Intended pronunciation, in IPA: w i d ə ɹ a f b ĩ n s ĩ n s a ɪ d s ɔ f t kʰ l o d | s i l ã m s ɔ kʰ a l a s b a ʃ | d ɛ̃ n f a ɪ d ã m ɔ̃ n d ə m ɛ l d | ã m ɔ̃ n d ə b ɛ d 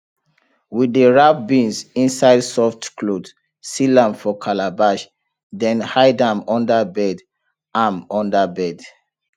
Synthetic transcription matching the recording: w i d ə ɹ a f b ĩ n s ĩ n s a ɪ d s ɔ f t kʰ l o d | s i l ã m f ɔ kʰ a l a b a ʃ | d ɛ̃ n h a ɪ d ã m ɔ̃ n d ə b ɛ d | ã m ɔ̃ n d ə b ɛ d